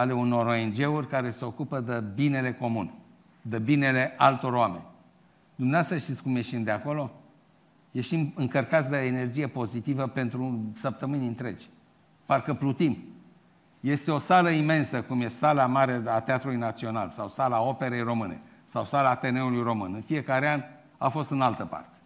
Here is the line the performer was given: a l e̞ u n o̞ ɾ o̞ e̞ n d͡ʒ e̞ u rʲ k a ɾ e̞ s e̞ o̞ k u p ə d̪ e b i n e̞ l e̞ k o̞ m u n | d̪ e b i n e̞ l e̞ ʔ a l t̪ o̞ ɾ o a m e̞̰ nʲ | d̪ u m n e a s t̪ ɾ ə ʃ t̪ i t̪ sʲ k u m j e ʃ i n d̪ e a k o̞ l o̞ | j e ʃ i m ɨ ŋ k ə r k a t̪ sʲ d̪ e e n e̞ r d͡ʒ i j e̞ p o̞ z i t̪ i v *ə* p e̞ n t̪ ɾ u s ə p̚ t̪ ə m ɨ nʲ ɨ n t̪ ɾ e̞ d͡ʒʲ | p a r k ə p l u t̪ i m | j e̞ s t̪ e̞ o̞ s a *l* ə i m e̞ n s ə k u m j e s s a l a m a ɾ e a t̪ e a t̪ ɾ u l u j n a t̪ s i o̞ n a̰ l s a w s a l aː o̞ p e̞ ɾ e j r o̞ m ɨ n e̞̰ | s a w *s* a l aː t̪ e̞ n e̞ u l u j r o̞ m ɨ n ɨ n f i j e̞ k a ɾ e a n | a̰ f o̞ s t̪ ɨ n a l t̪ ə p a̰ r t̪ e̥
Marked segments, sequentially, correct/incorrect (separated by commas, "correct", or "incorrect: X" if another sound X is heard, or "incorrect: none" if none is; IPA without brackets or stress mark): correct, correct, correct